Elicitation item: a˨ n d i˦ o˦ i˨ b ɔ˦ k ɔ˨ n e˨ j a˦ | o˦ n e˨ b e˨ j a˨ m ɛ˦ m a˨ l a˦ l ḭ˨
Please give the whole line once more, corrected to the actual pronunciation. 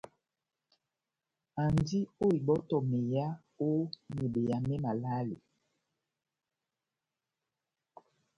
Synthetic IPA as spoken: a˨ n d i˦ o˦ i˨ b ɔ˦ t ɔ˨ m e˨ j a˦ | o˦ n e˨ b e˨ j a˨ m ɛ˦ m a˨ l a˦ l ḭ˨